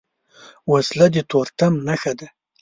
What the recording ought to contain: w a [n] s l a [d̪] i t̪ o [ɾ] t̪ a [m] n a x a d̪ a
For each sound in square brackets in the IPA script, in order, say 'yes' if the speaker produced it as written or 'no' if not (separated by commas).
no, yes, yes, yes